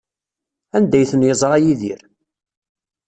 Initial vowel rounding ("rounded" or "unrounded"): unrounded